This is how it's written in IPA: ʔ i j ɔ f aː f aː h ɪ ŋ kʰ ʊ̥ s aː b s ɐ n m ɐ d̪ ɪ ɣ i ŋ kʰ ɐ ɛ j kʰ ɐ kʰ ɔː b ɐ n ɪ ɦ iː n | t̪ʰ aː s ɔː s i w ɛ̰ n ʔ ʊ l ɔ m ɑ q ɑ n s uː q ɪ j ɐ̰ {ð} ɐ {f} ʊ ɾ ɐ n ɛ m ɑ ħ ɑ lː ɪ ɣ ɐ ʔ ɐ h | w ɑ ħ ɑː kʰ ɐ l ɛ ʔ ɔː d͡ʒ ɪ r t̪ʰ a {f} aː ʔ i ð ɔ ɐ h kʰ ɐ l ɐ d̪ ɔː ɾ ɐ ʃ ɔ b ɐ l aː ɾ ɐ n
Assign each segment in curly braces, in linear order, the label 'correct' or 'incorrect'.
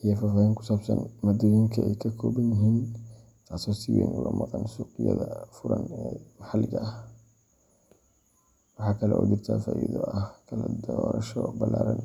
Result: correct, correct, correct

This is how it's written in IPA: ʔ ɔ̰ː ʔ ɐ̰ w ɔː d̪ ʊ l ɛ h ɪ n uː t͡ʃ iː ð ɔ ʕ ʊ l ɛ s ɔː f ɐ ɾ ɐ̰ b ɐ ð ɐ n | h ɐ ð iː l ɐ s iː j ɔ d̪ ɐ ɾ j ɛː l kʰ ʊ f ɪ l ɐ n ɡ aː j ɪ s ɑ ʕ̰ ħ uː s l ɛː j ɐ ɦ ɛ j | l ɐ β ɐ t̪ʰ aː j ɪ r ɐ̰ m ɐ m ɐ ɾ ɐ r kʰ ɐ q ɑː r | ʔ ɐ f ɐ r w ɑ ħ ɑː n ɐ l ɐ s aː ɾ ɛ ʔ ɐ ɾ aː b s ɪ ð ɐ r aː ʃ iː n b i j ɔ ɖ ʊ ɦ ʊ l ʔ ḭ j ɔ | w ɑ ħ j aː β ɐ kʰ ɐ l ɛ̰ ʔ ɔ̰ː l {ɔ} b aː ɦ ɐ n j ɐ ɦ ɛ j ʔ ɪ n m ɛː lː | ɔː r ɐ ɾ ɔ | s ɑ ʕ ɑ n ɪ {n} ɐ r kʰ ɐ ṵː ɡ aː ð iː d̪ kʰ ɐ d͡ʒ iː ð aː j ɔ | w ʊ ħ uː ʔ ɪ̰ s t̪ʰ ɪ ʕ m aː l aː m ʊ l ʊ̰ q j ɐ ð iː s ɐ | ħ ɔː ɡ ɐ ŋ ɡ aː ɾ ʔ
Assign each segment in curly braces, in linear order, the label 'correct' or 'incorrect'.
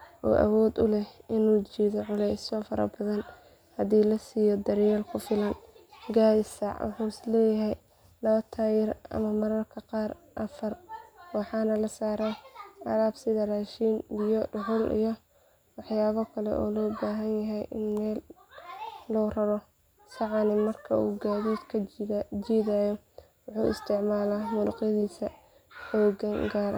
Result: incorrect: ɔː, incorrect: m

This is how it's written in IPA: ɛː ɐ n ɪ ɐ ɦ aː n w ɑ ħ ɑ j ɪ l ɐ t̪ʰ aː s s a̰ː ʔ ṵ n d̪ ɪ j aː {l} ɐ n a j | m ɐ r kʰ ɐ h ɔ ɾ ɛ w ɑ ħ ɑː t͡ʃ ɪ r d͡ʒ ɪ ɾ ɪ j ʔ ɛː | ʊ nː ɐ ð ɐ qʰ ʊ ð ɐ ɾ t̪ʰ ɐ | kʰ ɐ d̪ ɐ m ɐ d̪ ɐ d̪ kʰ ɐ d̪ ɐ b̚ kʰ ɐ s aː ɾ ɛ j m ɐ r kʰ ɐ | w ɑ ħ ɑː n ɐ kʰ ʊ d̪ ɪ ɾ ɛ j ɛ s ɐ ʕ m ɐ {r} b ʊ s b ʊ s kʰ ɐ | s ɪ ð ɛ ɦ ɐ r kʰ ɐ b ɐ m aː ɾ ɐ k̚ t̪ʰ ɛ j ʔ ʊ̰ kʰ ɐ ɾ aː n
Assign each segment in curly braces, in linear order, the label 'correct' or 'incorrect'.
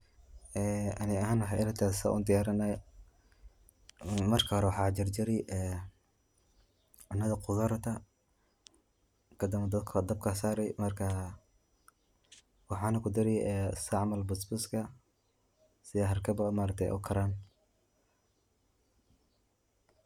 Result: incorrect: ɾ, incorrect: l

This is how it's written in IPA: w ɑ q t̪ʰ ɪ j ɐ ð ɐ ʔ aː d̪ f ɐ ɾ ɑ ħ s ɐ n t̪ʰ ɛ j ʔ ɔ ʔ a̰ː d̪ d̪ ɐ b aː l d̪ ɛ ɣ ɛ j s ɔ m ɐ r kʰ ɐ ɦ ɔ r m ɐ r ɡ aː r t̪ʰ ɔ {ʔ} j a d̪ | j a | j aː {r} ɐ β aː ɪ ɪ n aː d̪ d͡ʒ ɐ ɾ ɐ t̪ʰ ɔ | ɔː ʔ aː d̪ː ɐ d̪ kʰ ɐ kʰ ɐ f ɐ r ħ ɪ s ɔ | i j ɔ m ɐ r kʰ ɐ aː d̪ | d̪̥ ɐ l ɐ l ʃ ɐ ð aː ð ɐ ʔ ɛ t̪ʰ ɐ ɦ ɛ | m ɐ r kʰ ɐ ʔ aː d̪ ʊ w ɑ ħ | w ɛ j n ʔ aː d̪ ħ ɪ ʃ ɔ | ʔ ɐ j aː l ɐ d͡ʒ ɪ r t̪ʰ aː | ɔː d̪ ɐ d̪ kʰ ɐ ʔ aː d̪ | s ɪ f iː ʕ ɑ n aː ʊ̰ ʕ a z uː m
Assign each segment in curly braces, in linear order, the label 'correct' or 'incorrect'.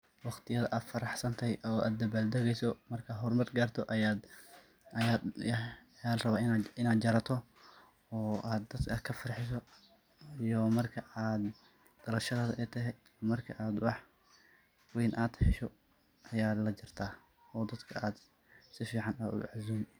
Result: correct, correct

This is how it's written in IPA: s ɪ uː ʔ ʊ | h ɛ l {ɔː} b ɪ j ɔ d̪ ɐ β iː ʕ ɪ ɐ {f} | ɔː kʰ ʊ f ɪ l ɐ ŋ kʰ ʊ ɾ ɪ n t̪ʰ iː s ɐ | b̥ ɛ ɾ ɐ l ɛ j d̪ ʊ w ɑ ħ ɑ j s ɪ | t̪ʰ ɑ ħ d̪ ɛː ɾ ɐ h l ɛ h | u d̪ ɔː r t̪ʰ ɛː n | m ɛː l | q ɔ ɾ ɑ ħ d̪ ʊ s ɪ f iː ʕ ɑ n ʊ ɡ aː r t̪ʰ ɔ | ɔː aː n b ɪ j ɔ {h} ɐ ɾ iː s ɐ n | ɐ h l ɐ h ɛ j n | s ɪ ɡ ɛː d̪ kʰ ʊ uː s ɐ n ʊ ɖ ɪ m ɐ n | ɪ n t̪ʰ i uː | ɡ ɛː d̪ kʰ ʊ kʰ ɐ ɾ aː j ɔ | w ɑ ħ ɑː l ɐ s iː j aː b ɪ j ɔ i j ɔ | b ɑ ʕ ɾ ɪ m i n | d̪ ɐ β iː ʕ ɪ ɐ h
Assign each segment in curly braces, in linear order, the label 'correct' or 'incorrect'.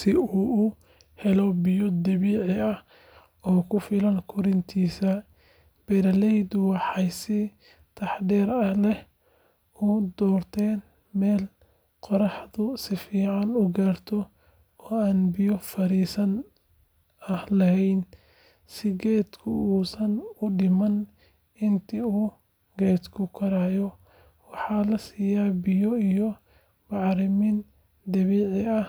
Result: incorrect: ɔ, incorrect: h, incorrect: f

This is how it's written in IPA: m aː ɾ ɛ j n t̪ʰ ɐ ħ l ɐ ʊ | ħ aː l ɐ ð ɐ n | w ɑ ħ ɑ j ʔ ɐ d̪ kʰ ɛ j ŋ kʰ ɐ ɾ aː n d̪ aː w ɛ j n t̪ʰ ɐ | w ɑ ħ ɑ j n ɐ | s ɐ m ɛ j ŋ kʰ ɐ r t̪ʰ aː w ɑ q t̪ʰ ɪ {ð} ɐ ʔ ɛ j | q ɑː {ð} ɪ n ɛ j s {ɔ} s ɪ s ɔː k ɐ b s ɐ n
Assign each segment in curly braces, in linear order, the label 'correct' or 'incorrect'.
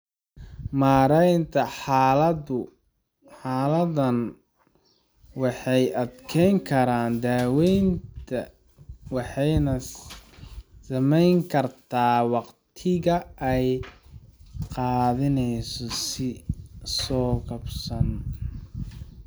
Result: incorrect: ɣ, correct, correct

